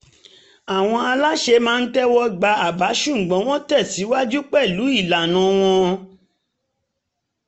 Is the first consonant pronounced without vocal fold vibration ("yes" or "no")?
no